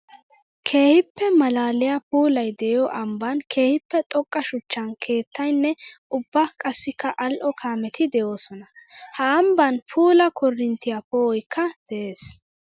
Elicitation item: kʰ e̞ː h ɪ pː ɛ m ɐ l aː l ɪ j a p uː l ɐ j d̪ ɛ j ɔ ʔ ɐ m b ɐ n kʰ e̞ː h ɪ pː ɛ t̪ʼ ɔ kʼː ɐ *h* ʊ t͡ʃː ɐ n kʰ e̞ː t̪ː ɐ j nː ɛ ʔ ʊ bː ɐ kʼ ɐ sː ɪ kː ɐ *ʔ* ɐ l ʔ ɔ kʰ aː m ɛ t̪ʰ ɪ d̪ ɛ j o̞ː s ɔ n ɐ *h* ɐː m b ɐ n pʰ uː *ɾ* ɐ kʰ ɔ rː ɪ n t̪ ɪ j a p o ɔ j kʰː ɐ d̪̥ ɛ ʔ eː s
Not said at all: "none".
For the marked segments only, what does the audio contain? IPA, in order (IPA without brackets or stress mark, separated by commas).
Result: ʃ, ʔ, h, l